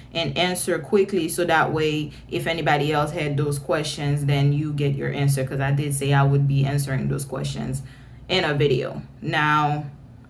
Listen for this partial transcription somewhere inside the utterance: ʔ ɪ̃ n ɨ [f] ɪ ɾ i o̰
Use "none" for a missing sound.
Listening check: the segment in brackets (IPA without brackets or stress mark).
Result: v